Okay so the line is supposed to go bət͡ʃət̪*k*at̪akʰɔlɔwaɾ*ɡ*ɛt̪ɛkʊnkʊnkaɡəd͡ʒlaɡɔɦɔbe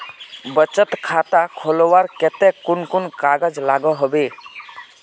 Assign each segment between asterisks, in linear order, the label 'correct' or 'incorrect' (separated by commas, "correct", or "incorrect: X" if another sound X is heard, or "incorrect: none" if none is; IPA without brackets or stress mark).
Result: incorrect: kʰ, incorrect: k